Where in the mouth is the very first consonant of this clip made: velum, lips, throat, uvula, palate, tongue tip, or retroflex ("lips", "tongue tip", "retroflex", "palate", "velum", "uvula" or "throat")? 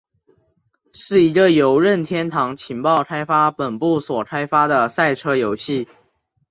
retroflex